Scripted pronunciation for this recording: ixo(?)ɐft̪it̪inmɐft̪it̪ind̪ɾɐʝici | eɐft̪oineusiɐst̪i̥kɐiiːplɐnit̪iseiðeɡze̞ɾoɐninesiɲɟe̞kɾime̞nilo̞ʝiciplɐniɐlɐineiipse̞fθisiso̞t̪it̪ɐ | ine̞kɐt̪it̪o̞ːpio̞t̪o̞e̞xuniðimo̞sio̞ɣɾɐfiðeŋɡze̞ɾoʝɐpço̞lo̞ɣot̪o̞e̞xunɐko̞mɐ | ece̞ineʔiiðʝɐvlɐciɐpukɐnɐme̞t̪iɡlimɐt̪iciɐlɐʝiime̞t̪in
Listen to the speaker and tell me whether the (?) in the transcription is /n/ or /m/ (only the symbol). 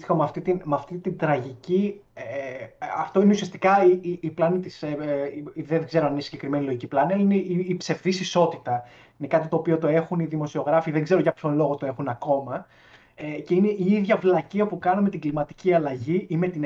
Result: m